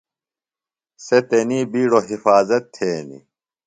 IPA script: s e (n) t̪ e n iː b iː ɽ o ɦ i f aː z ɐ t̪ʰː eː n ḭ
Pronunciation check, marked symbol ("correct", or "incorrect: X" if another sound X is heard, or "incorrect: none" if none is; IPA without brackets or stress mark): incorrect: none